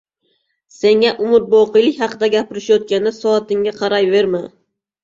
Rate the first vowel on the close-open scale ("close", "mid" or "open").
mid